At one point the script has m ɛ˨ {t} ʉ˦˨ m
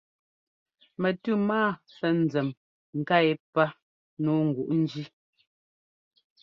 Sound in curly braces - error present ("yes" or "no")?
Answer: no